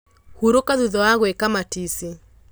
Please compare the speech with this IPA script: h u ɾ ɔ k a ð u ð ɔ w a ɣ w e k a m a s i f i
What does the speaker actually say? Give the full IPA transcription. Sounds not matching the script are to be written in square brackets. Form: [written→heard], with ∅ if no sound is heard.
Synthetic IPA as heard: h u ɾ [ɔ→o] k a ð u ð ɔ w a ɣ w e k a m a [s→t] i [f→s] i